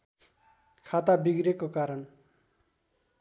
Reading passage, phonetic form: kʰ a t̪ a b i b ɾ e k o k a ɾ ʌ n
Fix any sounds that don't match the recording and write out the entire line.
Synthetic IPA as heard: kʰ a t̪ a b i ɡ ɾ e k o k a ɾ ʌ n